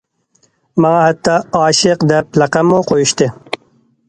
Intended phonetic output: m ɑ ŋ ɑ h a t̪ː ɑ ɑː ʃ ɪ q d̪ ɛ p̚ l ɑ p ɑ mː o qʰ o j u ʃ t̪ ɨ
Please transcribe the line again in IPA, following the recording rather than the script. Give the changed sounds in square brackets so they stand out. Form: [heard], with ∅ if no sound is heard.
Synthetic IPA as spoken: m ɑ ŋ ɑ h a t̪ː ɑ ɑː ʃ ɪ q d̪ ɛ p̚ l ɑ [q] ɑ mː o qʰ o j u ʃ t̪ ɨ